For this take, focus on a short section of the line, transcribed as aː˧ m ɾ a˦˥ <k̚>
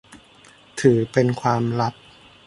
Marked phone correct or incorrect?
incorrect